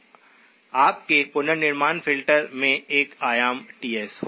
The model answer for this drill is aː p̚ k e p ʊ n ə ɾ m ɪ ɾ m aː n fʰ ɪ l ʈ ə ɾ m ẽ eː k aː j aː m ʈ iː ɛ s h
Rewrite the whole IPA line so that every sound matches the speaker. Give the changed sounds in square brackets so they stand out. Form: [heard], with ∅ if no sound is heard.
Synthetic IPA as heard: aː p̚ k e p ʊ n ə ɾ [n] ɪ ɾ m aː n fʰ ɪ l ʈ ə ɾ m ẽ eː k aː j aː m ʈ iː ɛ s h